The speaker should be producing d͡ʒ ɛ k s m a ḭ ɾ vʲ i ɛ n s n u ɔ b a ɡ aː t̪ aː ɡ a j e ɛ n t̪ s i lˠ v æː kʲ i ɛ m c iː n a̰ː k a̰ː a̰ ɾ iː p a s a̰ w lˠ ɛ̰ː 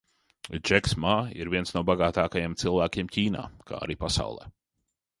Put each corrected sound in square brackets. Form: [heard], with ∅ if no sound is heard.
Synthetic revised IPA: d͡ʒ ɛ k s m a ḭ ɾ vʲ i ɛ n s n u ɔ b a ɡ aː t̪ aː [k] a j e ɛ [m] t̪ s i lˠ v æː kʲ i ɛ m c iː n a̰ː k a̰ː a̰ ɾ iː p a s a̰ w lˠ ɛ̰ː